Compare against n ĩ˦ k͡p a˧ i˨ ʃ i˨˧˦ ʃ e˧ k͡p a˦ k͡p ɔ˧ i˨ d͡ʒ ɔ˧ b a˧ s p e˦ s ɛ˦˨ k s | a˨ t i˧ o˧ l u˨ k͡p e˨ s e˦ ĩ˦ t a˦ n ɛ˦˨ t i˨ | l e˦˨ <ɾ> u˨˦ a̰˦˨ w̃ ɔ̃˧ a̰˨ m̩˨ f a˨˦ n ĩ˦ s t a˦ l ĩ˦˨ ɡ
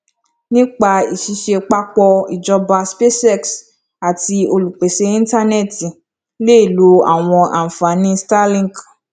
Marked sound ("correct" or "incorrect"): incorrect